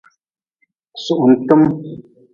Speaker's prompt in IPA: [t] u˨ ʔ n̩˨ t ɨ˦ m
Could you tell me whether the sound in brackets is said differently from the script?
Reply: yes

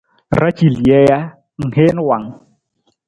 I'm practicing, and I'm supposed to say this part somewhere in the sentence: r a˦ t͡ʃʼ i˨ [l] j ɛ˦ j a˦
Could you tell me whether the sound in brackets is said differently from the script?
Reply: no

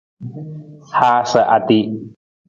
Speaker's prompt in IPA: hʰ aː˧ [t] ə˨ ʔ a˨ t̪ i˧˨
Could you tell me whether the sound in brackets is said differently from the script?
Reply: yes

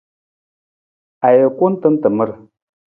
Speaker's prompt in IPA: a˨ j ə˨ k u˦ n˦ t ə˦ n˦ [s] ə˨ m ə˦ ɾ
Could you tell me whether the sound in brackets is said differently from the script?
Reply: yes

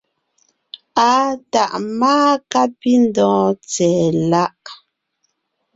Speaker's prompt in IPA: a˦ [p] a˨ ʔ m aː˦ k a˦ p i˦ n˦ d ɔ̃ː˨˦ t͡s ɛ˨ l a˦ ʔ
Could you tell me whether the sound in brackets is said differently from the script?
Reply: yes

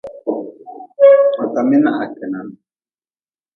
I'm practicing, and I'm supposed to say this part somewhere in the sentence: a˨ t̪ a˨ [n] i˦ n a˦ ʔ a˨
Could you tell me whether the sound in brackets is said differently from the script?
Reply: yes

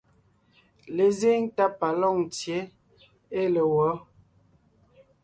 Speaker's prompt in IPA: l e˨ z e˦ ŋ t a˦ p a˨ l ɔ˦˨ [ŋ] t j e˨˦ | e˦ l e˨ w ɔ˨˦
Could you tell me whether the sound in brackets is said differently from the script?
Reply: no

